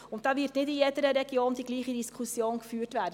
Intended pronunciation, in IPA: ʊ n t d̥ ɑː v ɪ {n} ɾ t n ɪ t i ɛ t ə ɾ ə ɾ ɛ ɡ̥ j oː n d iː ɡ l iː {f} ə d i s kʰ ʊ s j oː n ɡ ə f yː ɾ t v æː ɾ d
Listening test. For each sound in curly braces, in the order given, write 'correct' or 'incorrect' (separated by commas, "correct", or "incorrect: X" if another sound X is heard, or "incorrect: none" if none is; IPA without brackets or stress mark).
incorrect: none, incorrect: χ